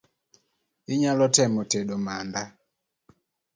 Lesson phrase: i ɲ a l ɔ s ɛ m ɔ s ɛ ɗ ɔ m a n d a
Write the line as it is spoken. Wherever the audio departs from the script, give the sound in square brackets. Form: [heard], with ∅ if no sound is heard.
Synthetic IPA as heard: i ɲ a l ɔ [t] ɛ m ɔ [t] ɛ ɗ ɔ m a n d a